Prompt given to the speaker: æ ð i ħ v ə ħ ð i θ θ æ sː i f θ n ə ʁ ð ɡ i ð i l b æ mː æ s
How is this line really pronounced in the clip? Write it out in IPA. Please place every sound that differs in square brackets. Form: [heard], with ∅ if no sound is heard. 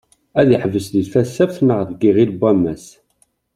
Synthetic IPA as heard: æ ð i ħ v ə [s] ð i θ [f] æ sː [æ] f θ n ə ʁ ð ɡ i [ʁ] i l b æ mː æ s